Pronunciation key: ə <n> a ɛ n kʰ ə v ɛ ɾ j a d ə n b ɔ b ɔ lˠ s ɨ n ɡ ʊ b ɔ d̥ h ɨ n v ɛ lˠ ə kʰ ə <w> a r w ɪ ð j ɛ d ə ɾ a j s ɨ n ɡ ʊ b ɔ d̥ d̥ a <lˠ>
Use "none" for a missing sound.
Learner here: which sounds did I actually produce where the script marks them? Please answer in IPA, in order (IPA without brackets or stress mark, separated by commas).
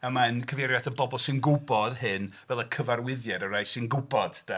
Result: m, v, none